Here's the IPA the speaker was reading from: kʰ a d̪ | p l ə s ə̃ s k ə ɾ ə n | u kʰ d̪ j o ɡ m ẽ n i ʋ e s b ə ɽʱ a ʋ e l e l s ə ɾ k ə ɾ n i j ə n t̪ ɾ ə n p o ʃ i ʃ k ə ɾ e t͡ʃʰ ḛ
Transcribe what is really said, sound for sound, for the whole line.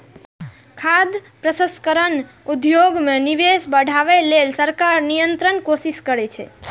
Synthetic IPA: kʰ a d̪ | p ɾ ə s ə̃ s k ə ɾ ə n | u d̪ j o ɡ m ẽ n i ʋ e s b ə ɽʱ a ʋ e l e l s ə ɾ k a ɾ n i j ə n t̪ ɾ ə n k o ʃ i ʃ k ə ɾ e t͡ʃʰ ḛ